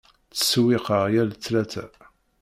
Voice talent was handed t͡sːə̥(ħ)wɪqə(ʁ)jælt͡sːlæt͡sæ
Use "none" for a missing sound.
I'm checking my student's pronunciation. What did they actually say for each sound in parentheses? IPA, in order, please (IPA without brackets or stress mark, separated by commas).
s, ʁ